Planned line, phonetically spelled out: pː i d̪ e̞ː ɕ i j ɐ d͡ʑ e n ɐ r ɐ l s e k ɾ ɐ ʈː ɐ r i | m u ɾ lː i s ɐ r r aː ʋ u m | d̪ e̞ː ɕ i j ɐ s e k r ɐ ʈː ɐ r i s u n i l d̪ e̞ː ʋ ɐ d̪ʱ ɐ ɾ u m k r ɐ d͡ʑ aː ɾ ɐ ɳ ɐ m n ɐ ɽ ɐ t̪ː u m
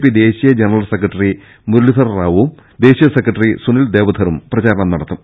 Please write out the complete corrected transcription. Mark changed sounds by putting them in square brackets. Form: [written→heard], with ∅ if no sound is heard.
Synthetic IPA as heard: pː i d̪ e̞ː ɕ i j ɐ d͡ʑ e n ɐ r ɐ l s e k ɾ ɐ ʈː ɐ r i | m u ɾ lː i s ɐ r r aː ʋ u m | d̪ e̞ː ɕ i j ɐ s e k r ɐ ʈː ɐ r i s u n i l d̪ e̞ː ʋ ɐ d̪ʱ ɐ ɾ u m [k→p] r ɐ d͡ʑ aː ɾ ɐ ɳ ɐ m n ɐ ɽ ɐ t̪ː u m